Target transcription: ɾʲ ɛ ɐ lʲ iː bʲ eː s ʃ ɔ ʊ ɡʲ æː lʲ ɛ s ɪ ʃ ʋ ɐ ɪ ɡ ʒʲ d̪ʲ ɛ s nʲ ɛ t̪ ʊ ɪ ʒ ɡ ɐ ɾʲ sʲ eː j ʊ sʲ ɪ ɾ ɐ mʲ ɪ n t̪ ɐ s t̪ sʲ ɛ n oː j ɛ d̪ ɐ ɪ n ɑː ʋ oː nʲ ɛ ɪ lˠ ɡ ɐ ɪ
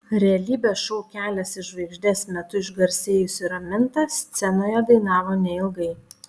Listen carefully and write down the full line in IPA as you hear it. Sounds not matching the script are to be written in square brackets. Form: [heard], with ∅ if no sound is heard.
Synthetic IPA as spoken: ɾʲ ɛ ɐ lʲ iː bʲ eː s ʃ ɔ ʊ [kʲ] æː lʲ ɛ s ɪ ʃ ʋ ɐ ɪ ɡ ʒʲ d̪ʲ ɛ s [mʲ] ɛ t̪ ʊ ɪ ʒ ɡ ɐ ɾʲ sʲ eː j ʊ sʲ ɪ ɾ ɐ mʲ ɪ n t̪ ɐ s t̪ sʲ ɛ n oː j ɛ d̪ ɐ ɪ n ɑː ʋ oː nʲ ɛ ɪ lˠ ɡ ɐ ɪ

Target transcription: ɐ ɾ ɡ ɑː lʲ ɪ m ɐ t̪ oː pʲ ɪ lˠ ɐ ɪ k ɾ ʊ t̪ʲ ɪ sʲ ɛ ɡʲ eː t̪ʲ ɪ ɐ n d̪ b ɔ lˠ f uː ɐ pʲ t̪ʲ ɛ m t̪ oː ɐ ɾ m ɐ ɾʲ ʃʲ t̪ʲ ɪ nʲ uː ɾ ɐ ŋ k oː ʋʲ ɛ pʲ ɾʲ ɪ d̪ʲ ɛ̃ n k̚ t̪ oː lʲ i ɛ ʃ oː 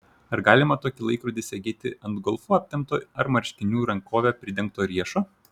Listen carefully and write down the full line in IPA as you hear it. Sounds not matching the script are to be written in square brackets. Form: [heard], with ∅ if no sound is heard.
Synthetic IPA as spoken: ɐ ɾ ɡ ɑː lʲ ɪ m ɐ t̪ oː [kʲ] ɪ lˠ ɐ ɪ k ɾ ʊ [d̪ʲ] ɪ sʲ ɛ ɡʲ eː t̪ʲ ɪ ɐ n d̪ [ɡ] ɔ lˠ f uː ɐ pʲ t̪ʲ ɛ m t̪ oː ɐ ɾ m ɐ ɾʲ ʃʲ t̪ʲ ɪ nʲ uː ɾ ɐ ŋ k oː ʋʲ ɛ pʲ ɾʲ ɪ d̪ʲ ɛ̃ [ŋ] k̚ t̪ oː [ɾʲ] i ɛ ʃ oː

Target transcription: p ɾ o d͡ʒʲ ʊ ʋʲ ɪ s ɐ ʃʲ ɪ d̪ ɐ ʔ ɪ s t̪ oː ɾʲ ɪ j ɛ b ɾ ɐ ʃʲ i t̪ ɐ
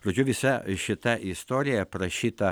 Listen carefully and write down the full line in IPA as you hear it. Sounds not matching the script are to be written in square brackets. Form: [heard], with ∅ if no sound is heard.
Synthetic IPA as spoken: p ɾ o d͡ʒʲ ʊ ʋʲ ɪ s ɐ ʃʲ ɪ [t̪] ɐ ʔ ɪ s t̪ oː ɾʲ ɪ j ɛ [p] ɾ ɐ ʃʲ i t̪ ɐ

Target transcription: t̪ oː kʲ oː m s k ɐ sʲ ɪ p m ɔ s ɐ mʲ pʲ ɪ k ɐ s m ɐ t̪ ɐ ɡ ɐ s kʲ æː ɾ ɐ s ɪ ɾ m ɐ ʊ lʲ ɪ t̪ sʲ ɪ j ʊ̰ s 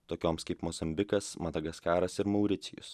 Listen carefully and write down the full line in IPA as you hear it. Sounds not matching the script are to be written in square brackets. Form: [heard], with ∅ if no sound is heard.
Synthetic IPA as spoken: t̪ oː kʲ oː m s k ɐ [∅] ɪ p m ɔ [z] ɐ mʲ [bʲ] ɪ k ɐ s m ɐ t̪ ɐ ɡ ɐ s kʲ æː ɾ ɐ s ɪ ɾ m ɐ ʊ [ɾʲ] ɪ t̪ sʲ ɪ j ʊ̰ s

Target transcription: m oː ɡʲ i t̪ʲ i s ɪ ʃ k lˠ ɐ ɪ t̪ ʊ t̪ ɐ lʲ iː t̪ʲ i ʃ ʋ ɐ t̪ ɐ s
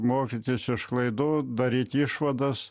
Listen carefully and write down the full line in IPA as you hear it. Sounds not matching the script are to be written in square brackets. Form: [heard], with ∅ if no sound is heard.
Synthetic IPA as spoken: m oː [kʲ] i t̪ʲ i s ɪ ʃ k lˠ ɐ ɪ [d̪] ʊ [d̪] ɐ [ɾʲ] iː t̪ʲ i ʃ ʋ ɐ [d̪] ɐ s

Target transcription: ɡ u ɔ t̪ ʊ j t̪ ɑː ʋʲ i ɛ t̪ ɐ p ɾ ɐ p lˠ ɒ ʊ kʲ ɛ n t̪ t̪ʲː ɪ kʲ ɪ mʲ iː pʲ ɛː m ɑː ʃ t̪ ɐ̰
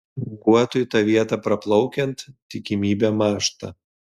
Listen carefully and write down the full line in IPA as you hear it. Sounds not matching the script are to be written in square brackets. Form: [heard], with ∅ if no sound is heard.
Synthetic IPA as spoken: ɡ u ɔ t̪ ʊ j t̪ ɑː ʋʲ i ɛ t̪ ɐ p ɾ ɐ p lˠ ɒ ʊ kʲ ɛ n t̪ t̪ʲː ɪ kʲ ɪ mʲ iː [bʲ] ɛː m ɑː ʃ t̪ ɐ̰

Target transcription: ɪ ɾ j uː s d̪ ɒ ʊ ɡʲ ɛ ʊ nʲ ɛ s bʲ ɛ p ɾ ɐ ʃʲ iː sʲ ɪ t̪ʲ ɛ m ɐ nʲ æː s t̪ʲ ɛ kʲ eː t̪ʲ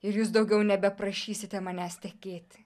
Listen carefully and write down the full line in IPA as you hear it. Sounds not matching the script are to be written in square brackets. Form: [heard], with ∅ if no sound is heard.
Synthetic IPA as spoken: ɪ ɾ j uː s d̪ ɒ ʊ ɡʲ ɛ ʊ nʲ ɛ [∅] bʲ ɛ p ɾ ɐ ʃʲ iː sʲ ɪ t̪ʲ ɛ m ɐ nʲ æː s t̪ʲ ɛ kʲ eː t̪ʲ

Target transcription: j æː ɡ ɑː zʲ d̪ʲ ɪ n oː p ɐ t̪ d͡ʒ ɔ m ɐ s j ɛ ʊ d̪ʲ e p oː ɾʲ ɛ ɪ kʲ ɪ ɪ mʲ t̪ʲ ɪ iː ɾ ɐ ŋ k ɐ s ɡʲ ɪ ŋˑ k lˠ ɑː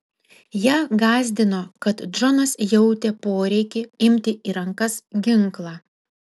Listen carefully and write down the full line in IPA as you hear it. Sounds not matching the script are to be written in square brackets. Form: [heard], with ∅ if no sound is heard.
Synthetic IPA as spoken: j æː ɡ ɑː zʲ d̪ʲ ɪ n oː [k] ɐ t̪ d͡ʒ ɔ [n] ɐ s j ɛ ʊ [t̪ʲ] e p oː ɾʲ ɛ ɪ kʲ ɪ ɪ mʲ t̪ʲ ɪ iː ɾ ɐ ŋ k ɐ s ɡʲ ɪ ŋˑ k lˠ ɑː

